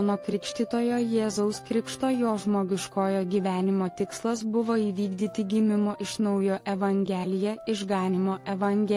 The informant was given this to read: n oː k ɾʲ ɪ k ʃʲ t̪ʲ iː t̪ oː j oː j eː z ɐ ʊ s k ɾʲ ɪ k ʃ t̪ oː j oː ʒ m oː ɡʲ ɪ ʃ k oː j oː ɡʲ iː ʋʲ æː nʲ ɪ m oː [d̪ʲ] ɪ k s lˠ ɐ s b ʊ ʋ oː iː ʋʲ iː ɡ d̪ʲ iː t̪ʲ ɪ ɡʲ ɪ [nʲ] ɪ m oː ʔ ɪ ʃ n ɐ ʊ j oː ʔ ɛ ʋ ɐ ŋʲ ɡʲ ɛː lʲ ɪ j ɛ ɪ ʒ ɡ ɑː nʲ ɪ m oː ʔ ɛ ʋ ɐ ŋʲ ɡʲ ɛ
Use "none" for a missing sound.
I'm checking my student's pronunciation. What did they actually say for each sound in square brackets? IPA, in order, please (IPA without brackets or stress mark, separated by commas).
t̪ʲ, mʲ